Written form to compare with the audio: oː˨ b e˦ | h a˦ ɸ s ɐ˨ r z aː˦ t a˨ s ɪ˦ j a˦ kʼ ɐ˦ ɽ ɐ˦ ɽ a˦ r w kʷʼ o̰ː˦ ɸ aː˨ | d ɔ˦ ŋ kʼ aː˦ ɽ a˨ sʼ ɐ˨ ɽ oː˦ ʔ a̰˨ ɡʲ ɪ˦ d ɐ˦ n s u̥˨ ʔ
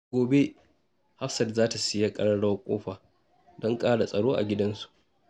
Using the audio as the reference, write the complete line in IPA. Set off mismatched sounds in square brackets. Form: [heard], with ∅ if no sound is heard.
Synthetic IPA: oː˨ b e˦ | h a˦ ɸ s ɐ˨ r z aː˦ t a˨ s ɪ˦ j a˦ kʼ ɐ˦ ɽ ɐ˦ ɽ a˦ [∅] w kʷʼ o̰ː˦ ɸ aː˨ | d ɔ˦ ŋ kʼ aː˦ ɽ a˨ sʼ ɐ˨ ɽ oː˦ ʔ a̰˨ ɡʲ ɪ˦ d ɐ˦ n s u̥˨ ʔ